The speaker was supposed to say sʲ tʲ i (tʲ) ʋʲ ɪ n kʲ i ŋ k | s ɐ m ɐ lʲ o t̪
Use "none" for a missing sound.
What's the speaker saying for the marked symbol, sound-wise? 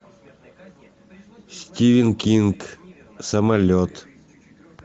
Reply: none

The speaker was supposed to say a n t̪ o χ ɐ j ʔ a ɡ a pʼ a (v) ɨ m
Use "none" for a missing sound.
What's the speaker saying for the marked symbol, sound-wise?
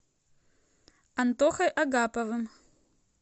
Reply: v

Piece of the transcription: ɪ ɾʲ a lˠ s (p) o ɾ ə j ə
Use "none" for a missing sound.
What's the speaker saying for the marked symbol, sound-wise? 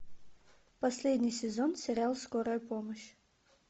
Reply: k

